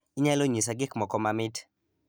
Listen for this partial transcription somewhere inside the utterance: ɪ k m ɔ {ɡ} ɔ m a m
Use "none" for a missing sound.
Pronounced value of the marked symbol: k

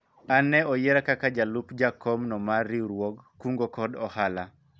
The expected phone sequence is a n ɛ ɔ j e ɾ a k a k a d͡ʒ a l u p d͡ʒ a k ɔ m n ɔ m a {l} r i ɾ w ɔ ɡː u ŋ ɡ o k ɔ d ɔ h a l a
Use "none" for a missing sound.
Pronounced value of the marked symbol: none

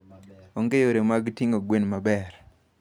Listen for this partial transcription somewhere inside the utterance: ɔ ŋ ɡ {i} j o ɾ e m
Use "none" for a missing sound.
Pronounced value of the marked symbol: e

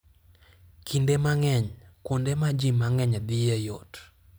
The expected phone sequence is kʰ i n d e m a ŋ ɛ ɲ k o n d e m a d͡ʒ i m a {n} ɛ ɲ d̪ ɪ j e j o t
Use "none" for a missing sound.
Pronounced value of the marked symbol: ŋ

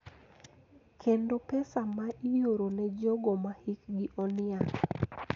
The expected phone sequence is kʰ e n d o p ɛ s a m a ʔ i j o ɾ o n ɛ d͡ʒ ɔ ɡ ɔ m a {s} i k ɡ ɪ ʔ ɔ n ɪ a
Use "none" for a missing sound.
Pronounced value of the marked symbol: h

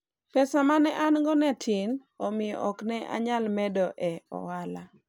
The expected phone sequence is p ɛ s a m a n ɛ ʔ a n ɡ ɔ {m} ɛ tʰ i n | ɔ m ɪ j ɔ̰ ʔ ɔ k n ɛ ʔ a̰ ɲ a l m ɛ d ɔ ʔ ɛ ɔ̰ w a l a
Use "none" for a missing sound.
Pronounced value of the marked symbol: n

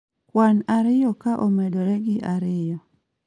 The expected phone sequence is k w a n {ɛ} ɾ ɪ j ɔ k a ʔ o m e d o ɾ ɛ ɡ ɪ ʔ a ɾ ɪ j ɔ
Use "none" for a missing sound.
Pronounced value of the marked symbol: a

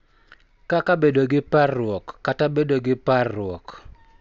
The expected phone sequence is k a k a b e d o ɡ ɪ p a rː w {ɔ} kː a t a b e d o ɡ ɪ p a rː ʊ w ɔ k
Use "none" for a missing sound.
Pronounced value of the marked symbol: ɔ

